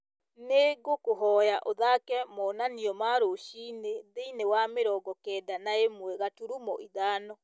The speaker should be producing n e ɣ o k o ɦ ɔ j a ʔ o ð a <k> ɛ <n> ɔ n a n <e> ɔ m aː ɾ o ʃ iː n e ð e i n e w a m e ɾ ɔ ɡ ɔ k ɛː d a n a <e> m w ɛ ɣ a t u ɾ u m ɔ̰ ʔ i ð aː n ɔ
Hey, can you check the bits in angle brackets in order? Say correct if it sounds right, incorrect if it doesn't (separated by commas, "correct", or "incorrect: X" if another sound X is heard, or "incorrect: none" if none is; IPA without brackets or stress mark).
correct, incorrect: m, incorrect: i, correct